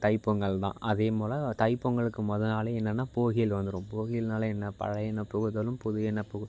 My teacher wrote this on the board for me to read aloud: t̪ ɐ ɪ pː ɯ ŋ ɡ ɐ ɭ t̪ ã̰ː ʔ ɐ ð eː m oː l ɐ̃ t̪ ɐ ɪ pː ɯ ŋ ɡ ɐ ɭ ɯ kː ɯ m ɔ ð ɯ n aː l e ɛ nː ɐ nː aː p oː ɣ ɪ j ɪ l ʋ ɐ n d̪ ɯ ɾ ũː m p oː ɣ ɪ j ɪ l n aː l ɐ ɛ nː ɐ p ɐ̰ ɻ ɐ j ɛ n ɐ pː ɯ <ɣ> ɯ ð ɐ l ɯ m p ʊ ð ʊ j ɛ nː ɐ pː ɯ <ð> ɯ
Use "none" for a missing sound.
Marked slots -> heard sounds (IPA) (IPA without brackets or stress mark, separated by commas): ɣ, ɣ